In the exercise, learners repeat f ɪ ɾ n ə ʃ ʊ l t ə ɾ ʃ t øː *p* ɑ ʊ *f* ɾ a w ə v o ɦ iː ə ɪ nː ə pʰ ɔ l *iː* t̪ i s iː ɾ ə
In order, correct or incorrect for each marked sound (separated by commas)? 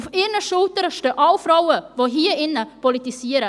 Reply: incorrect, correct, incorrect